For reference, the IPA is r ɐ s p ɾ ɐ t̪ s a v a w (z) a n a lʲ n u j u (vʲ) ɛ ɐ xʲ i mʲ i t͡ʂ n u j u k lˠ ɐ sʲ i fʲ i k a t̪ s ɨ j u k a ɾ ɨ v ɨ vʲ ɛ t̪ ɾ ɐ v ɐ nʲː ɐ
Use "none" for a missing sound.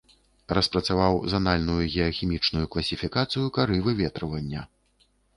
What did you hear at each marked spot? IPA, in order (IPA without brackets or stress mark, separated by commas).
z, ɣʲ